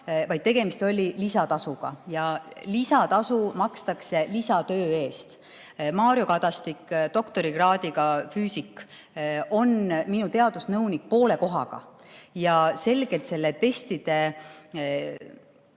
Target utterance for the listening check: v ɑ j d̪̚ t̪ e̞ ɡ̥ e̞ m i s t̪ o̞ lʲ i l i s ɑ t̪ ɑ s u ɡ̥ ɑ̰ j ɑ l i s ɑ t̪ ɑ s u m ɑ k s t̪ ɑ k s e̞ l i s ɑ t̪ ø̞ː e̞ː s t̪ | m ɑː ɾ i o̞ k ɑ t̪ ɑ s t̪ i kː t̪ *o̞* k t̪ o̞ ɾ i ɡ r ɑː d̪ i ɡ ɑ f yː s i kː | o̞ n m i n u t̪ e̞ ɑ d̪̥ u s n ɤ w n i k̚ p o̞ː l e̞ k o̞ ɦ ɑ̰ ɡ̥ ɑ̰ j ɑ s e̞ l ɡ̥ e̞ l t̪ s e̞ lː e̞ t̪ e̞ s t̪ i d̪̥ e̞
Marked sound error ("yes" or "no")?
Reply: no